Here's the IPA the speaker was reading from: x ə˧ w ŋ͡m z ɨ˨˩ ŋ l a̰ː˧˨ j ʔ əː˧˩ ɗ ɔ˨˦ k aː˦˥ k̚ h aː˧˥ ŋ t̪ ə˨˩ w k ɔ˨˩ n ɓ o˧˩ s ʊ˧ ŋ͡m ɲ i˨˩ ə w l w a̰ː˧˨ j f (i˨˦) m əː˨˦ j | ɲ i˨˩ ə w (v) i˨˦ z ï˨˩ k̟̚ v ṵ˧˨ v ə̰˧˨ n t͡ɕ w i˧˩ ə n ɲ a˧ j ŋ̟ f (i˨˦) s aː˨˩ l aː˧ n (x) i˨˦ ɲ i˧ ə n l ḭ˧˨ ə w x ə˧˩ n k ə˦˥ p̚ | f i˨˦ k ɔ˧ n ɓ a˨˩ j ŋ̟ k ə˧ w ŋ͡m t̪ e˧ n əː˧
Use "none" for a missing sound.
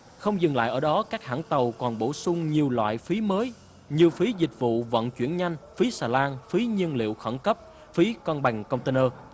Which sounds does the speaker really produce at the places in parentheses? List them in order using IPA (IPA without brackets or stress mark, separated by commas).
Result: i˨˦, f, i˨˦, f